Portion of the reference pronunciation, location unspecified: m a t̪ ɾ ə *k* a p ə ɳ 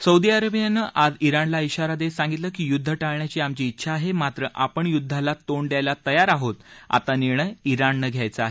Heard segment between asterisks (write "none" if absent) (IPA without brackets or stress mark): ʔ